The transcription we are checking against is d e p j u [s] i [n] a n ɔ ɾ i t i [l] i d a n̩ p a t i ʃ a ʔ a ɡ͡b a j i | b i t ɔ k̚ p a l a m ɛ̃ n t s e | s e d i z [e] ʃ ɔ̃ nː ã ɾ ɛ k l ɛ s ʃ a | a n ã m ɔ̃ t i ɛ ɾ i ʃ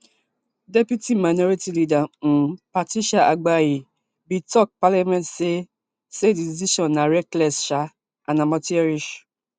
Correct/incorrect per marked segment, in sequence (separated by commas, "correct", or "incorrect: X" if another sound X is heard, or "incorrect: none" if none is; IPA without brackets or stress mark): incorrect: t, incorrect: m, correct, incorrect: i